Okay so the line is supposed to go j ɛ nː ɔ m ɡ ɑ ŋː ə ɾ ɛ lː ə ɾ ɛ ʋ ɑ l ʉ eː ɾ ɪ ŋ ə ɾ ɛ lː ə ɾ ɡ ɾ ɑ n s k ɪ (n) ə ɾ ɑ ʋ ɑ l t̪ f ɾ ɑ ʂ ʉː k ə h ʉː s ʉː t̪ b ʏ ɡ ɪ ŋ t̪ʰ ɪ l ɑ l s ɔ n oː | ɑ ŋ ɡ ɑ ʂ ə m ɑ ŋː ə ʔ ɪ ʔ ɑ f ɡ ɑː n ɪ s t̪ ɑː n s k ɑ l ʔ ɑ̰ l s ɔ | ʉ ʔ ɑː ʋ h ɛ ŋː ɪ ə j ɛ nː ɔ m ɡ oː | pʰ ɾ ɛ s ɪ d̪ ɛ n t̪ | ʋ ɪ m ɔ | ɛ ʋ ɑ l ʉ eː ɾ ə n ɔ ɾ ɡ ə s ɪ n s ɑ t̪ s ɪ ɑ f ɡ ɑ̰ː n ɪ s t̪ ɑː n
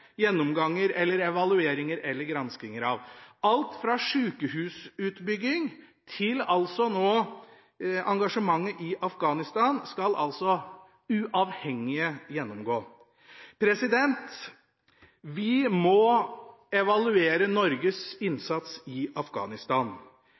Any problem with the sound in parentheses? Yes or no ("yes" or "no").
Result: yes